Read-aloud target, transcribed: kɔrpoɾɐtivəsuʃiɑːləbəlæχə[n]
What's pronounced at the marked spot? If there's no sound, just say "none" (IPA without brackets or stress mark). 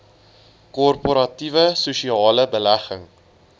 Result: ŋ